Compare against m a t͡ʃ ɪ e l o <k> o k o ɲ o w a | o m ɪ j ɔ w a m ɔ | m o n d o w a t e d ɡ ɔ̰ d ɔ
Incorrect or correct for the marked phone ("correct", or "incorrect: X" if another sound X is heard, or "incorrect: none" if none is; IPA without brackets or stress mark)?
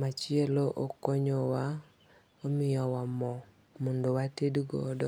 incorrect: ʔ